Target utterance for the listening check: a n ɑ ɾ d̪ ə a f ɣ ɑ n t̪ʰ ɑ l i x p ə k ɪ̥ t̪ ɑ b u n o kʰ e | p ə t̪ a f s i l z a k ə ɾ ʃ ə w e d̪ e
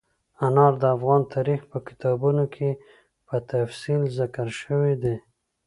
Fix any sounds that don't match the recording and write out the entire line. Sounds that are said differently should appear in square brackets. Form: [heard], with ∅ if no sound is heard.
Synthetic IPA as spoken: a n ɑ ɾ d̪ ə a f ɣ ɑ n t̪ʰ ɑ [ɾ] i x p ə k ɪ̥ t̪ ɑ b u n o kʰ e | p ə t̪ a f s i l z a k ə ɾ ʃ ə w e d̪ e